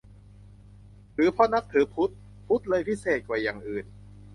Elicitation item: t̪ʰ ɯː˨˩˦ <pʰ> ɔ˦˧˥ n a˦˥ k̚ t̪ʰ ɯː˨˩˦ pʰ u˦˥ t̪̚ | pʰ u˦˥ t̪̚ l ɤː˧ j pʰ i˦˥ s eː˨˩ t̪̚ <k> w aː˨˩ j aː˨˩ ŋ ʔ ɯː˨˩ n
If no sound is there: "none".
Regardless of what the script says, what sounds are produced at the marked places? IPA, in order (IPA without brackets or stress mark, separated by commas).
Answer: pʰ, k